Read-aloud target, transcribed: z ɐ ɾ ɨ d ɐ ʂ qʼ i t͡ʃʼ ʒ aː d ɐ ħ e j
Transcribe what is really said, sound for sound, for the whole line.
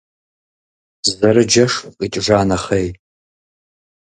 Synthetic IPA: z ɐ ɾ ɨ d͡ʒ ɐ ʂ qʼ i t͡ʃʼ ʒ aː n ɐ χ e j